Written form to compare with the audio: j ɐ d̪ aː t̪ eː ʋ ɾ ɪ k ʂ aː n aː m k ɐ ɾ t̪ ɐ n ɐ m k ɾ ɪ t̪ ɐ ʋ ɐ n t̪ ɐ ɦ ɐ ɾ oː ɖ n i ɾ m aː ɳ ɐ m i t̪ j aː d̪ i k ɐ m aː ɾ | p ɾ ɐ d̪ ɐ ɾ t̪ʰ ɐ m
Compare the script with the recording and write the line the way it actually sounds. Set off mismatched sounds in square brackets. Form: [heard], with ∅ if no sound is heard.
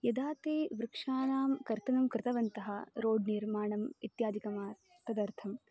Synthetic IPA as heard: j ɐ d̪ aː t̪ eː ʋ ɾ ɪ k ʂ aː n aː m k ɐ ɾ t̪ ɐ n ɐ m k ɾ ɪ t̪ ɐ ʋ ɐ n t̪ ɐ ɦ ɐ ɾ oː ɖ n i ɾ m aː ɳ ɐ m i t̪ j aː d̪ i k ɐ m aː ɾ | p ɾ ɐ d̪ ɐ ɾ t̪ʰ ɐ m